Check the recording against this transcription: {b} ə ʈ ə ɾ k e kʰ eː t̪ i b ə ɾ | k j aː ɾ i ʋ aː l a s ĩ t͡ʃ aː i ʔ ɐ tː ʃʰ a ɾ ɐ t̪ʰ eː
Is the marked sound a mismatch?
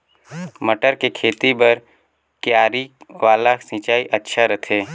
yes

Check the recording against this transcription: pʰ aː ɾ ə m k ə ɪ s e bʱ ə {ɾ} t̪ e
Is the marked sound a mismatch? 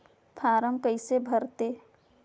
no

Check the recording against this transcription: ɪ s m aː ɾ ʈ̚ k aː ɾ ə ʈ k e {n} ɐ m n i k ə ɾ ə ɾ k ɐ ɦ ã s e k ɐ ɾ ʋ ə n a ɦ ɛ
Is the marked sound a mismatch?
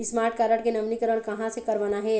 no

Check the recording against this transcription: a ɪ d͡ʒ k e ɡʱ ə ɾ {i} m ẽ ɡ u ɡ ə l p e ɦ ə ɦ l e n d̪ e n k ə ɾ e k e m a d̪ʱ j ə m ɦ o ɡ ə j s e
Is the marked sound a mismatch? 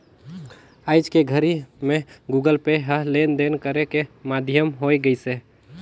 no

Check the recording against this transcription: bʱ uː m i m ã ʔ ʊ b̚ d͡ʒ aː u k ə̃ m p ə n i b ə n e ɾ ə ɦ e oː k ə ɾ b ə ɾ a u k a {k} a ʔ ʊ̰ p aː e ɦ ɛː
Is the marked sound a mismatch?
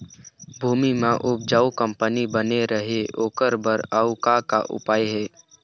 no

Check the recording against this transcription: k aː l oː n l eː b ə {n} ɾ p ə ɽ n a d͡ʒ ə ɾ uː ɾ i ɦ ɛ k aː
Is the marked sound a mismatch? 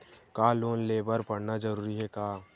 yes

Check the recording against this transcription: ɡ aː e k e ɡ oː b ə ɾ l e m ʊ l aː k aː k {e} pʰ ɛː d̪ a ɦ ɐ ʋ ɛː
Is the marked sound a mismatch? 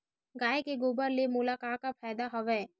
yes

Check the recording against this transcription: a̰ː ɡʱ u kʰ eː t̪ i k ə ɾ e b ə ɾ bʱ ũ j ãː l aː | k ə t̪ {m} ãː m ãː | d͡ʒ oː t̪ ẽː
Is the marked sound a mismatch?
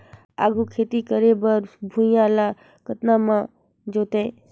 yes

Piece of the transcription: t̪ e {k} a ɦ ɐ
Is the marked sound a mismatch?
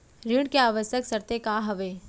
no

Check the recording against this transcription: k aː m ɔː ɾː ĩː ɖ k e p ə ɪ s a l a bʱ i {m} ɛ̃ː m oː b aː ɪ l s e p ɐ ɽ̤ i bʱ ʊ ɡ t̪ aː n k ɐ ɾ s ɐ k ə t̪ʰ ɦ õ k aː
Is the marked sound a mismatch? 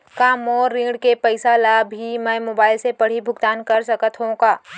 no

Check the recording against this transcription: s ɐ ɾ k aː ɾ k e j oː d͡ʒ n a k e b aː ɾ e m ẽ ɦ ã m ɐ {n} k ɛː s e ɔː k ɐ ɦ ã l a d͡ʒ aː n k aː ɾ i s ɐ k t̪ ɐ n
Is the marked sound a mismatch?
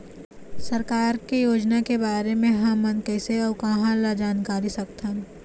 no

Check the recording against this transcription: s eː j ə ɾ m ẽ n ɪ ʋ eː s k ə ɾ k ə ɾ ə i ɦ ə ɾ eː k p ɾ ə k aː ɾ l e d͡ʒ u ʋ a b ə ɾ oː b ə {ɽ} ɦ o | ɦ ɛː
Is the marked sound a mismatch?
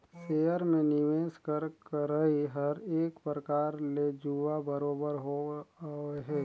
yes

